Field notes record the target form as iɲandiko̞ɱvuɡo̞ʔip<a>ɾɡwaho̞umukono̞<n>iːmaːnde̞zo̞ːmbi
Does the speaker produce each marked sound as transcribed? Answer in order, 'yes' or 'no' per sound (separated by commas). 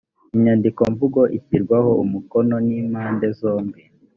no, yes